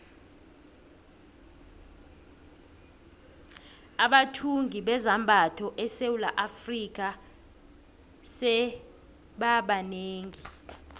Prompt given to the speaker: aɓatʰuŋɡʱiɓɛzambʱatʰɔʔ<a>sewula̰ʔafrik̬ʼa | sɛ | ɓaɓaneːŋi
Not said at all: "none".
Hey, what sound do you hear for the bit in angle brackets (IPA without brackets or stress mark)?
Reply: ɛ